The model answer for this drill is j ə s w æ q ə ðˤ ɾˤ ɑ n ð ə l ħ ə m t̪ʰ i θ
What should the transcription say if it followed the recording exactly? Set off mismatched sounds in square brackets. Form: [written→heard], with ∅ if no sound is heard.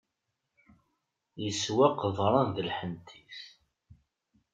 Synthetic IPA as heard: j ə s w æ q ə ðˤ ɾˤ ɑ n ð ə l ħ ə [m→n] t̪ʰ i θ